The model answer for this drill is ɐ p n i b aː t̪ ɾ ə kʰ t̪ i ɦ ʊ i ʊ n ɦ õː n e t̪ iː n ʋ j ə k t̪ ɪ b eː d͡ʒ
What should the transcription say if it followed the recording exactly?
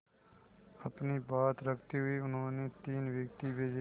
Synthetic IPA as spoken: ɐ p n i b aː t̪ ɾ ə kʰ t̪ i ɦ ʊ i ʊ n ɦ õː n e t̪ iː n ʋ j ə k t̪ i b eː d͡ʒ